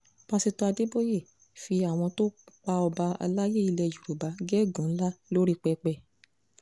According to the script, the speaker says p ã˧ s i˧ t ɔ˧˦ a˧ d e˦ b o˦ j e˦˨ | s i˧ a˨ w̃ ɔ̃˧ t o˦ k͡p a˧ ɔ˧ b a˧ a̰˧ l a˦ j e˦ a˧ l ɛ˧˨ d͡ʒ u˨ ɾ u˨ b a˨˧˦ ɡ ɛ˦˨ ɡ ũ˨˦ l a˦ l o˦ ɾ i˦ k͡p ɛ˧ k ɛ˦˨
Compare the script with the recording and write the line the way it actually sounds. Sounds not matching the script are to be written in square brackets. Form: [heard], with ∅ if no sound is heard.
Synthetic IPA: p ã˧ s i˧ t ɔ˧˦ a˧ d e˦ b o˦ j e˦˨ | [f] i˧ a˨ w̃ ɔ̃˧ t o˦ k͡p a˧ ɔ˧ b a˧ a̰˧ l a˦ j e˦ [i˧] l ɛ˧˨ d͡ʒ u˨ ɾ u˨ b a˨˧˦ ɡ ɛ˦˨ ɡ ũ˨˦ l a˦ l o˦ ɾ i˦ k͡p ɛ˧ [k͡p] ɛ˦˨

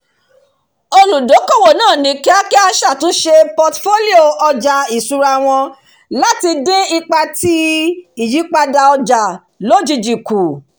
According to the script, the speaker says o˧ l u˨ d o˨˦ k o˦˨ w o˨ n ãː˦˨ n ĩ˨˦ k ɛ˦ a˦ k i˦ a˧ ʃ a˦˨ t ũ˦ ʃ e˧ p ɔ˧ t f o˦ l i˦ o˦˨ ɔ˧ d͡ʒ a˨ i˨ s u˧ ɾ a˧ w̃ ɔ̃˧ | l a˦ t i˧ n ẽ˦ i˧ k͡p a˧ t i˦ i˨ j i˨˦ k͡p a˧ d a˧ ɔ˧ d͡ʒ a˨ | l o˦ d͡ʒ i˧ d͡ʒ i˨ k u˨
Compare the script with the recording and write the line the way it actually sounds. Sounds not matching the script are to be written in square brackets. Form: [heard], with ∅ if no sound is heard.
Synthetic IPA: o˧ l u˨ d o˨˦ k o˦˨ w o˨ n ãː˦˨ n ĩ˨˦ k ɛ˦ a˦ k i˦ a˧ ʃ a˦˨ t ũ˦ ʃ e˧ p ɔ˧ t f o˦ l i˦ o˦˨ ɔ˧ d͡ʒ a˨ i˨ s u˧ ɾ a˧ w̃ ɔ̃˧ | l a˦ t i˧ [d] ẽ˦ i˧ k͡p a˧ t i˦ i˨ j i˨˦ k͡p a˧ d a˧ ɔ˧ d͡ʒ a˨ | l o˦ d͡ʒ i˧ d͡ʒ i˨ k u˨

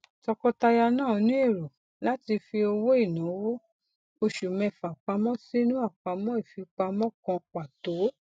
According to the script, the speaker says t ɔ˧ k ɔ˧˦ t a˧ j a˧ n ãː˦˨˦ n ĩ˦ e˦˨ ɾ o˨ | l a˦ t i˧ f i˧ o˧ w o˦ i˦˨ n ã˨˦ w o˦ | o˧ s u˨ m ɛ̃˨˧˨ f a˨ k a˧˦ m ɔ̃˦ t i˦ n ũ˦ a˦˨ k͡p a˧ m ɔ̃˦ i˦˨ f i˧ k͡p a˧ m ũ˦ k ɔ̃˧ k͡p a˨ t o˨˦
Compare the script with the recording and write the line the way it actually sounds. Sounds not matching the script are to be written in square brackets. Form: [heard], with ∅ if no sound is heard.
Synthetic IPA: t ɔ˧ k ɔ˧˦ t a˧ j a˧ n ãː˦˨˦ n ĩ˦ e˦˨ ɾ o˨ | l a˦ t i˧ f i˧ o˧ w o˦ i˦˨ n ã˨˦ w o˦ | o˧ [ʃ] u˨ m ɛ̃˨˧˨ f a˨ [k͡p] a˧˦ m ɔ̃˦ [s] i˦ n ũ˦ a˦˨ k͡p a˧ m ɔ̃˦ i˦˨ f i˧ k͡p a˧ m [ɔ̃˦] k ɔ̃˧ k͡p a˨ t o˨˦

